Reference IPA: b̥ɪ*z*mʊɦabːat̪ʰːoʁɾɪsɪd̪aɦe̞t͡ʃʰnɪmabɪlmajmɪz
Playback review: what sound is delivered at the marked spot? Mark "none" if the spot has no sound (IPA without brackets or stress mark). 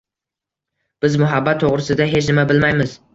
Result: z